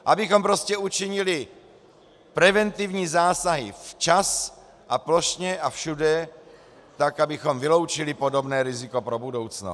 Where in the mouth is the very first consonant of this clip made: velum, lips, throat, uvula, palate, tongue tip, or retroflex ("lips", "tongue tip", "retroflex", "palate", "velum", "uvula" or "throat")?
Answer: throat